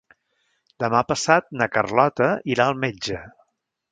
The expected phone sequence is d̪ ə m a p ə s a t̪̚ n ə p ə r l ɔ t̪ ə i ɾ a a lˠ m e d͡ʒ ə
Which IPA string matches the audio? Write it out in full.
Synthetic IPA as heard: d̪ ə m a p ə s a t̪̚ n ə k ə r l ɔ t̪ ə i ɾ a ə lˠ m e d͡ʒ ə

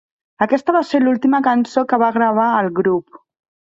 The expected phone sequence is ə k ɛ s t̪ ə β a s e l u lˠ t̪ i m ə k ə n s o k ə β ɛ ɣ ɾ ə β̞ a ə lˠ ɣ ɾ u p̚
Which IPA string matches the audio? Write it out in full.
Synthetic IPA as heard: ə k ɛ s t̪ ə β a s e l u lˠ t̪ i m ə k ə n s o k ə β a ɣ ɾ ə β̞ a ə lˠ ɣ ɾ u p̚

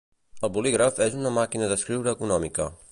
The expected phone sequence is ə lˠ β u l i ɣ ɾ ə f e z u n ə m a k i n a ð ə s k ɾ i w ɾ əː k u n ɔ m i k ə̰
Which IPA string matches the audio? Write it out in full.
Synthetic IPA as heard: ə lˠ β u l i ɣ ɾ ə f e z u n ə m a k i n ə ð ə s k ɾ i w ɾ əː k u n ɔ m i k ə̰

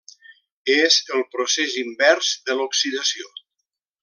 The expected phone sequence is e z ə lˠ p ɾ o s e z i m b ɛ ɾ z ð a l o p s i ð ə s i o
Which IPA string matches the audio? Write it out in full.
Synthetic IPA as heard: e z ə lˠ p ɾ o s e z i m b ɛ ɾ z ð ə l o k s i ð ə s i o

